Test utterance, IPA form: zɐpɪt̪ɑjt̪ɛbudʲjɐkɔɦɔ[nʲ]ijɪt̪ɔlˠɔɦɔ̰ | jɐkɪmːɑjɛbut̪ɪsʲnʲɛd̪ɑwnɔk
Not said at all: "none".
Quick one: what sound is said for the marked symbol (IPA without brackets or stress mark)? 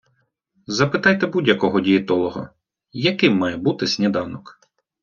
dʲ